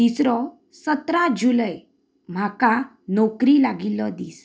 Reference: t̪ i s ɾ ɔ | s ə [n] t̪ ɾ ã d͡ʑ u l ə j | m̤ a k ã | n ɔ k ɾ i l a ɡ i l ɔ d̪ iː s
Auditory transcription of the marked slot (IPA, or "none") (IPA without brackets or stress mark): none